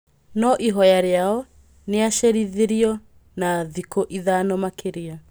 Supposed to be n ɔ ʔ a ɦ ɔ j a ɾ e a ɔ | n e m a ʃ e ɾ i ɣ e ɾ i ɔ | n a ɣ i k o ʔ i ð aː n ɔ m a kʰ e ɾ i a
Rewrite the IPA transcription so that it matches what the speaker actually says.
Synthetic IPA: n ɔ ʔ i ɦ ɔ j a ɾ e a ɔ | n e a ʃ e ɾ i ð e ɾ i ɔ | n a ð i k o ʔ i ð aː n ɔ m a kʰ e ɾ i a

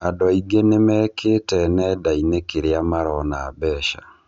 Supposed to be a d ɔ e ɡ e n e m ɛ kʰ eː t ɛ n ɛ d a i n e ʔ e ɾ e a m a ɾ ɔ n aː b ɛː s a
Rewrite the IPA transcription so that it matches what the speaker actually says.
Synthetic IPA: a d ɔ i ɡ e n e m ɛ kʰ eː t ɛ n ɛ d a i n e k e ɾ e a m a ɾ ɔ n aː b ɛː ʃ a

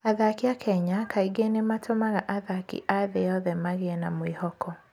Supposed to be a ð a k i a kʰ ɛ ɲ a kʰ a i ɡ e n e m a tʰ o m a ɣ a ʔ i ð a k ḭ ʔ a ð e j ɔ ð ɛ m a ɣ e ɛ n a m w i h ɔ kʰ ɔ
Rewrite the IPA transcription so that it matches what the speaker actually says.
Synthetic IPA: a ð a k i a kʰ ɛ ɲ a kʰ a i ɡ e n e m a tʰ o m a ɣ a ʔ a ð a k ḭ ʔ a ð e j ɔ ð ɛ m a ɣ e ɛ n a m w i h ɔ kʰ ɔ

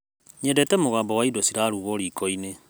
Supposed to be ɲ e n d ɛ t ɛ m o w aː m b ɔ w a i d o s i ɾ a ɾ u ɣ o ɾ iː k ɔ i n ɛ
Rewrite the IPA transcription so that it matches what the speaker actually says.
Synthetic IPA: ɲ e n d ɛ t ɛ m o ɣ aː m b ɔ w a i d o s i ɾ a ɾ u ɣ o ɾ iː k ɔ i n e

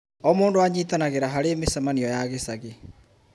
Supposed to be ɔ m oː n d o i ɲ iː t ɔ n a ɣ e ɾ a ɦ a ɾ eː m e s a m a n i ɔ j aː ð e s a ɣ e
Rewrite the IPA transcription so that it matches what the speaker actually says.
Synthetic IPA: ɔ m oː n d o a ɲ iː t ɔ n a ɣ e ɾ a ɦ a ɾ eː m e s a m a n i ɔ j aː ɣ e s a ɣ e

